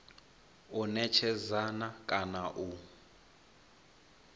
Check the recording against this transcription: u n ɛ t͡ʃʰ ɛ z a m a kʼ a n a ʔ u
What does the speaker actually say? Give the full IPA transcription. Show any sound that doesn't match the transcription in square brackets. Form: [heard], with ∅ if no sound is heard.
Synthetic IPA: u n ɛ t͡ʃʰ ɛ z a [n] a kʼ a n a ʔ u